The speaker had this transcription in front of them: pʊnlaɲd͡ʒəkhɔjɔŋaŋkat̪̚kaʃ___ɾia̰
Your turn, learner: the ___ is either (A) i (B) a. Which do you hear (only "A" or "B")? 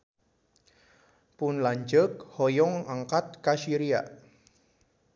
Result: A